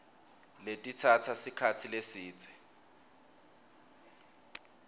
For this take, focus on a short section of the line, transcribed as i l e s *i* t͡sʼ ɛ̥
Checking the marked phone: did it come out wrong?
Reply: yes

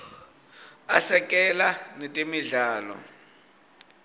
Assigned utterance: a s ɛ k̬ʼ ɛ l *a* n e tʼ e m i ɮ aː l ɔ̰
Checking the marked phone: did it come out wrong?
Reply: no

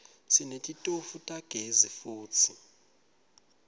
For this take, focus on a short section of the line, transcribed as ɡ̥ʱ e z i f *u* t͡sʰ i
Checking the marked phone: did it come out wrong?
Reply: yes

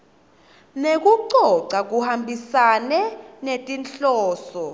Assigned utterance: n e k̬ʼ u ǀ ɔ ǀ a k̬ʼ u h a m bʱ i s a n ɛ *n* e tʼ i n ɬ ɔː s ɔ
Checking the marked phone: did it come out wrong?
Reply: no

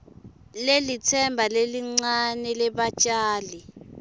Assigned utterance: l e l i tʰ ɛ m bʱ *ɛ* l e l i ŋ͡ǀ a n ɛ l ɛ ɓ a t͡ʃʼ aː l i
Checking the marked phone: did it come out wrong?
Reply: yes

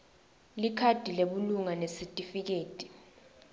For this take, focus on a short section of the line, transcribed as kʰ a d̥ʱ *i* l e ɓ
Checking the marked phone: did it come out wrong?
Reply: no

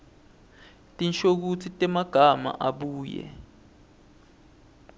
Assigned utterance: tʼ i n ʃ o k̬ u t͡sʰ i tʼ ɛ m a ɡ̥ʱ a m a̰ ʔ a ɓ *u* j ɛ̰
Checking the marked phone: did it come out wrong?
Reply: yes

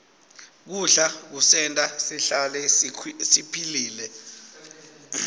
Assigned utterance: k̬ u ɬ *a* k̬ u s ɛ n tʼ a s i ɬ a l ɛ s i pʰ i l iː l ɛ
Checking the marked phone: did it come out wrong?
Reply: no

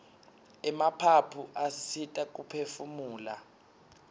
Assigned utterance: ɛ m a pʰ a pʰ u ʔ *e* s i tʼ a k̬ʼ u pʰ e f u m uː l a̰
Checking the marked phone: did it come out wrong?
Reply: yes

